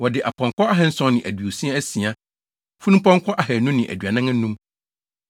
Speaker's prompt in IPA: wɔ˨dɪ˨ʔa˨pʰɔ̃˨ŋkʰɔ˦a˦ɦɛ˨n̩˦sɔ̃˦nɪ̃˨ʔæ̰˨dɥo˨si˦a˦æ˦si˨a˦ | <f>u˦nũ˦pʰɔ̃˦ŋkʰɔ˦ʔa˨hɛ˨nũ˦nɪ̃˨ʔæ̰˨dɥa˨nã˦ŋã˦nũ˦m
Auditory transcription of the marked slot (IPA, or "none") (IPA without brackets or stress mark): f